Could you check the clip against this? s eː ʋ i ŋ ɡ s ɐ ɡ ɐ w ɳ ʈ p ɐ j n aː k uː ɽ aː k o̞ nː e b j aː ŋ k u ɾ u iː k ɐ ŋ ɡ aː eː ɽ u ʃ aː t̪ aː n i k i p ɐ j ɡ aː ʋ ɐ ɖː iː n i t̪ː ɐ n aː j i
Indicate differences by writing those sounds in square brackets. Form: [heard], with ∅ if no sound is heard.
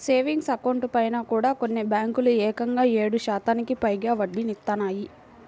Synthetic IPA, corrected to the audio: s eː ʋ i ŋ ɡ s ɐ [k] ɐ w ɳ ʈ p ɐ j n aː k uː ɽ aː k o̞ nː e b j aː ŋ k u [l] u [ɛː] k ɐ ŋ ɡ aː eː ɽ u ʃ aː t̪ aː n i k i p ɐ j ɡ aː ʋ ɐ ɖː [i] n i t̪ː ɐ n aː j i